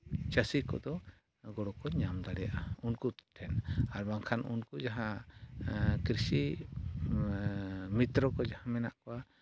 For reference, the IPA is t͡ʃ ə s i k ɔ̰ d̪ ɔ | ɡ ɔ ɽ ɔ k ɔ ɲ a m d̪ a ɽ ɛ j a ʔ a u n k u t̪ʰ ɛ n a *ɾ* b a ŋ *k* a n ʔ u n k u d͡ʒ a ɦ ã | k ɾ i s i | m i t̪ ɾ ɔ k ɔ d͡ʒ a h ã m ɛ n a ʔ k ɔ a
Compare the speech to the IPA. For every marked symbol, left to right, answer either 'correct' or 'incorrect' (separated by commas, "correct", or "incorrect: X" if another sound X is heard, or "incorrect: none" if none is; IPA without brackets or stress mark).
correct, incorrect: kʰ